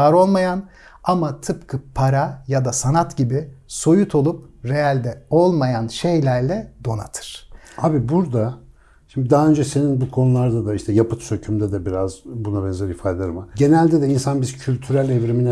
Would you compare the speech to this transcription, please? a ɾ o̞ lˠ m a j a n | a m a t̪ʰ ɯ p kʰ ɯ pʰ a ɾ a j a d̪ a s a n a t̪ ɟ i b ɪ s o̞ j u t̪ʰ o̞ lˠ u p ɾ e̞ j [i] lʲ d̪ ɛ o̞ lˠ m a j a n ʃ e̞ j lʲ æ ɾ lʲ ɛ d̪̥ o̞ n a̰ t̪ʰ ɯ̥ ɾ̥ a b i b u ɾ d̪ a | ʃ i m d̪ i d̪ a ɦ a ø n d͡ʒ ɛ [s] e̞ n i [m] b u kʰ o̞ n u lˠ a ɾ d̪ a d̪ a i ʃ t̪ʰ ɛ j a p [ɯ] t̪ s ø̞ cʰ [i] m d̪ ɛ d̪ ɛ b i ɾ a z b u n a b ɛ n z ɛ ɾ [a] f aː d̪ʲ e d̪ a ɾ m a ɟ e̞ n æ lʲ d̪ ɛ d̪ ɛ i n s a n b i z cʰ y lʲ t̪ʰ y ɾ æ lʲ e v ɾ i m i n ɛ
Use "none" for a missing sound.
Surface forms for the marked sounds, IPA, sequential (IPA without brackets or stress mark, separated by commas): a, s, n, ɯ, y, i